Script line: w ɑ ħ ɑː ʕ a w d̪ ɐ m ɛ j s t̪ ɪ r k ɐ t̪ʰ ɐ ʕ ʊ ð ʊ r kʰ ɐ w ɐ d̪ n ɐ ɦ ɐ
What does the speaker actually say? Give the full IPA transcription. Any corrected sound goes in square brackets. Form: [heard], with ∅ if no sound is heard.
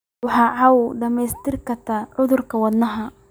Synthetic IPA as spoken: w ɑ ħ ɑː ʕ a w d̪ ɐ m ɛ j s t̪ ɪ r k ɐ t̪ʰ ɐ ʕ ʊ ð ʊ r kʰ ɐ w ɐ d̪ n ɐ ɦ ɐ